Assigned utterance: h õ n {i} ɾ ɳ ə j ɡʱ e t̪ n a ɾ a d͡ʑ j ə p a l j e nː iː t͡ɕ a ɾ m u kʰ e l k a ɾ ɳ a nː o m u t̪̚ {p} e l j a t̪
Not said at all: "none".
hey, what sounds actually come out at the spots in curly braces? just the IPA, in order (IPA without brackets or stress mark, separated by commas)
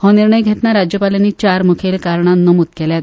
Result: i, k